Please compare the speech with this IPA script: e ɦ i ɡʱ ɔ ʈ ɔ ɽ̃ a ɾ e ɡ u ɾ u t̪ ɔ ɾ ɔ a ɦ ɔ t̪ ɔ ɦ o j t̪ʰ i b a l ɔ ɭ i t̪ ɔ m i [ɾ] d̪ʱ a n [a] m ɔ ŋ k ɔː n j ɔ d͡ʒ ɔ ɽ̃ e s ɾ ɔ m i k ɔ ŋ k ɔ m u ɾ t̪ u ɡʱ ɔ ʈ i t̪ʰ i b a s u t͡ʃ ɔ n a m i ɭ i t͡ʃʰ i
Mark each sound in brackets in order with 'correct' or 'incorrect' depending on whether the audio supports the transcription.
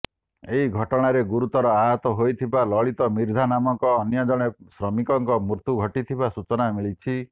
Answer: correct, correct

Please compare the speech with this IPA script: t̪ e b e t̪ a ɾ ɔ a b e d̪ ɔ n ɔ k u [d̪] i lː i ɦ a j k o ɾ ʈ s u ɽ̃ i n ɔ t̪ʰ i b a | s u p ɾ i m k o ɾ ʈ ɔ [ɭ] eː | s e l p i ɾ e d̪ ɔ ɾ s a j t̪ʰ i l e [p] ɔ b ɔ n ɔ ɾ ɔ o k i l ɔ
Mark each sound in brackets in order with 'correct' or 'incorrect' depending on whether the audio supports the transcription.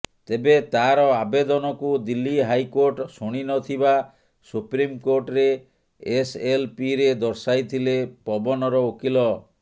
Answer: correct, incorrect: ɾ, correct

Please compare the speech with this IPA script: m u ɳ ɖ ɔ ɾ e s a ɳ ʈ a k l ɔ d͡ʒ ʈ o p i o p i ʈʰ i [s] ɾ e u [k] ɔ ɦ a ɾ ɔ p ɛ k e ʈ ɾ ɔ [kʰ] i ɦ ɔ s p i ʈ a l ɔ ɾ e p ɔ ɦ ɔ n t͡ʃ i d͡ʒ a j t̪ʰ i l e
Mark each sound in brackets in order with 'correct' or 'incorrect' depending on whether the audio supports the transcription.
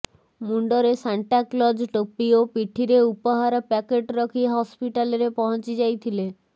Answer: incorrect: none, incorrect: p, correct

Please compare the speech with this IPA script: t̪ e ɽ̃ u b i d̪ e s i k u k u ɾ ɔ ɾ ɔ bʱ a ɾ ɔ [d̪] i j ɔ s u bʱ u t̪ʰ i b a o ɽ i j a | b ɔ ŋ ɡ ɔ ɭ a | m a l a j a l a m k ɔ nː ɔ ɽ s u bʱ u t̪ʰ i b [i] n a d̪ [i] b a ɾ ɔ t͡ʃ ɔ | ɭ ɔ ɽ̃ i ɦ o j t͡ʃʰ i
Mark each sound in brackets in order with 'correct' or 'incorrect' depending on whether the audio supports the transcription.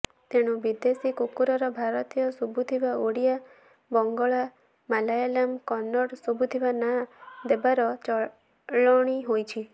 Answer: incorrect: t̪, incorrect: a, incorrect: e

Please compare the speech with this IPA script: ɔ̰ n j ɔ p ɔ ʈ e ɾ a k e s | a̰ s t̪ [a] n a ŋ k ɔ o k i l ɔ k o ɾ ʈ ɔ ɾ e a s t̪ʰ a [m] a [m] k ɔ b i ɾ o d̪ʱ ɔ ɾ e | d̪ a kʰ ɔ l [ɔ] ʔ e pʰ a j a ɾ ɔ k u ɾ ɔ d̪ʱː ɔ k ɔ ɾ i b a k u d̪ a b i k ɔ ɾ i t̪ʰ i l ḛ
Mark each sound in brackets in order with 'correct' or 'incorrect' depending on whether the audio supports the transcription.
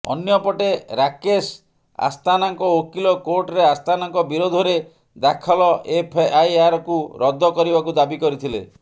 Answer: correct, incorrect: n, incorrect: ŋ, correct

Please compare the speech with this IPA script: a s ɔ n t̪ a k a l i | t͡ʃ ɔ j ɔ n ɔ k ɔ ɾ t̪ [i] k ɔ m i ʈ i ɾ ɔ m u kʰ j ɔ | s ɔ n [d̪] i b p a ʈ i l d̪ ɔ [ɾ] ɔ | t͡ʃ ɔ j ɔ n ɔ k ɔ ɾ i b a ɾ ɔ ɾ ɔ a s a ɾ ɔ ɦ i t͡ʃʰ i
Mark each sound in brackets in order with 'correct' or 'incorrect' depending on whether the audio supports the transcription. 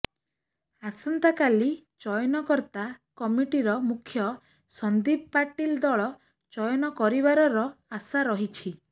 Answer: incorrect: a, correct, incorrect: ɭ

